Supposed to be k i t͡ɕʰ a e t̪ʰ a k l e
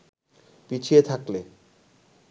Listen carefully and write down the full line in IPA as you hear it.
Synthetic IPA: p i t͡ɕʰ i e t̪ʰ a k l e

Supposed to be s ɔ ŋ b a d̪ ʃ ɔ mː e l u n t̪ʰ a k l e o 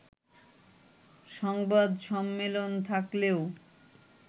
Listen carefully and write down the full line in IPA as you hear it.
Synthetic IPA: ʃ ɔ ŋ b a d̪ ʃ ɔ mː e l o n t̪ʰ a k l e o

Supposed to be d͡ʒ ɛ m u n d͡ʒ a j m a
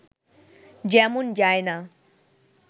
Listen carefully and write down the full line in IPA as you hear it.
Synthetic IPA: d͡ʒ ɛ m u n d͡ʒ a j n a

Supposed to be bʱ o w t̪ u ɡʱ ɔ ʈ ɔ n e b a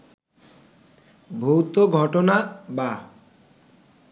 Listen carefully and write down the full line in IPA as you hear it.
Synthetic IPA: bʱ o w t̪ o ɡʱ ɔ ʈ o n a b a

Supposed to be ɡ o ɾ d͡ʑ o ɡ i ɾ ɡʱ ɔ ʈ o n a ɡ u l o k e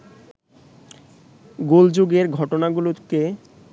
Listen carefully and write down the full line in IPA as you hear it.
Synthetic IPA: ɡ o l d͡ʑ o ɡ e ɾ ɡʱ ɔ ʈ o n a ɡ u l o k e

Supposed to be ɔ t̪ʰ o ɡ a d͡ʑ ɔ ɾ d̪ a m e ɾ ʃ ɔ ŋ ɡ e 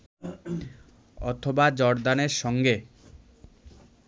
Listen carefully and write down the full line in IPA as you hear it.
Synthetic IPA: ɔ t̪ʰ o b a d͡ʑ ɔ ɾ d̪ a n e ɾ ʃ ɔ ŋ ɡ e

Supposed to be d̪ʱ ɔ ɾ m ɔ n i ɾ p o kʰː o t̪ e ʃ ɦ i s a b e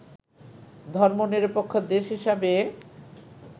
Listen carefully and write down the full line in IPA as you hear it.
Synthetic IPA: d̪ʱ ɔ ɾ m o n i ɾ p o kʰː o d̪ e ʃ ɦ i ʃ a b e

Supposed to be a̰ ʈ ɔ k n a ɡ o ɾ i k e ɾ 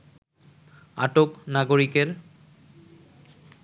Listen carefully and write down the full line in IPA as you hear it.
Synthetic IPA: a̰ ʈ o k n a ɡ o ɾ i k e ɾ

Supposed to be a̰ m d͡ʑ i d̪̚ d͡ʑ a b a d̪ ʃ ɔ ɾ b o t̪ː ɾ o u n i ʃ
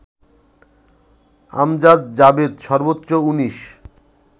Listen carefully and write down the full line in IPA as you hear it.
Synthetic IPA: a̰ m d͡ʑ a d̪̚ d͡ʑ a b e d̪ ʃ ɔ ɾ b o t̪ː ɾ o u n i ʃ

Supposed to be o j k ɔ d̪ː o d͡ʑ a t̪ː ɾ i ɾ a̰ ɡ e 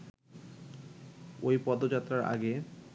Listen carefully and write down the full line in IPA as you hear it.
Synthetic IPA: o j p ɔ d̪ o d͡ʑ a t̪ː ɾ a ɾ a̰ ɡ e

